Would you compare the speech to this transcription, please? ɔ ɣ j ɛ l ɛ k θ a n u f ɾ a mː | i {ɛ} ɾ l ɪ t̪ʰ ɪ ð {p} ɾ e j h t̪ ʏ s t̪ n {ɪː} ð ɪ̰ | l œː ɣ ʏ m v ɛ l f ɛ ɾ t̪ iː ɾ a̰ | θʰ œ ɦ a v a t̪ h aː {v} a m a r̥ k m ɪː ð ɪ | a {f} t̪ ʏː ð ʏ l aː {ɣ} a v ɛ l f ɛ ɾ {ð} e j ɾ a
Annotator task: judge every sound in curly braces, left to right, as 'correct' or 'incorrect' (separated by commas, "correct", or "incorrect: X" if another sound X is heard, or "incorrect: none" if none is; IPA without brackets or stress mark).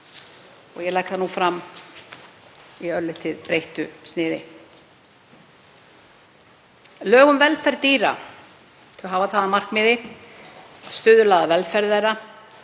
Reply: incorrect: œ, correct, correct, incorrect: ð, incorrect: s, incorrect: ð, correct